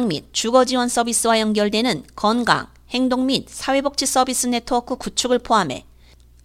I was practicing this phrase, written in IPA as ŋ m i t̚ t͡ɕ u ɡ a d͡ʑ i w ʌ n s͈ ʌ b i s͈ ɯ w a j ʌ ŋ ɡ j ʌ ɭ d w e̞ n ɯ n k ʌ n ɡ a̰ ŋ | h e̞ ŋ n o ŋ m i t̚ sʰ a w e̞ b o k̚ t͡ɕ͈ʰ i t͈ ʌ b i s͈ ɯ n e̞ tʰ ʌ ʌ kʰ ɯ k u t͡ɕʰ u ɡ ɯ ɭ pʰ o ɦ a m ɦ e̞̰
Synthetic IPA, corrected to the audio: ŋ m i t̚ t͡ɕ u ɡ ʌ d͡ʑ i w ʌ n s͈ ʌ b i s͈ ɯ w a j ʌ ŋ ɡ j ʌ ɭ d w e̞ n ɯ n k ʌ n ɡ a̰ ŋ | h e̞ ŋ d o ŋ m i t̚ sʰ a w e̞ b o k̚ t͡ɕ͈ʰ i s͈ ʌ b i s͈ ɯ n e̞ tʰ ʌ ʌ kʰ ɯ k u t͡ɕʰ u ɡ ɯ ɭ pʰ o ɦ a m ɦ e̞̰